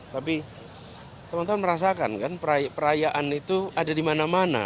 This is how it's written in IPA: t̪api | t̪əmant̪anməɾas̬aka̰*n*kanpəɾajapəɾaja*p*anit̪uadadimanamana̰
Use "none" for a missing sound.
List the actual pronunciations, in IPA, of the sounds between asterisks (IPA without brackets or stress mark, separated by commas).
n, ʔ